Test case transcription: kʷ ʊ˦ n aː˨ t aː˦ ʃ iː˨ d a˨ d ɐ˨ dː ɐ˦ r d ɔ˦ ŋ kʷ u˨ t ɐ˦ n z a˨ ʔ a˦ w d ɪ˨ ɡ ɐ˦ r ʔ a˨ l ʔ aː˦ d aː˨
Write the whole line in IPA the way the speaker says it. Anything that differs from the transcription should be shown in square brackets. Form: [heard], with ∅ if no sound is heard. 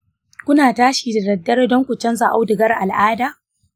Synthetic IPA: kʷ ʊ˦ n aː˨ t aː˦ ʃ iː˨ d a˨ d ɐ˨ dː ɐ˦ r d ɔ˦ ŋ kʷ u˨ [t͡ʃ] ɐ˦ n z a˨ ʔ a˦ w d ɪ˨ ɡ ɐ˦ r ʔ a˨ l ʔ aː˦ d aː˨